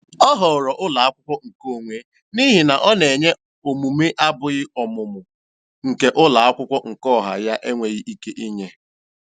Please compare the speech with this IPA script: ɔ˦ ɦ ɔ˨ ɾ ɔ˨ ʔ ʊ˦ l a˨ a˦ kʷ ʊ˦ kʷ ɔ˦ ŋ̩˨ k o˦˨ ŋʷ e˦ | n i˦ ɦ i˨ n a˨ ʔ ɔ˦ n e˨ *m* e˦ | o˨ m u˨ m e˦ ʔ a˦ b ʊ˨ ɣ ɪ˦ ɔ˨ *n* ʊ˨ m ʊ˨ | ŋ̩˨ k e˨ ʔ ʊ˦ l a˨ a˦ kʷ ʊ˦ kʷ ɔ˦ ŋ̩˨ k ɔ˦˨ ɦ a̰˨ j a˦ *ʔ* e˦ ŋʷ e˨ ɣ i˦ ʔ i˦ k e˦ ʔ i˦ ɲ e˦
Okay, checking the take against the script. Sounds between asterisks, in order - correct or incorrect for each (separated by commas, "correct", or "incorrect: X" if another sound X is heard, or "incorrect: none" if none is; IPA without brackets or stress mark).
incorrect: ɲ, incorrect: m, correct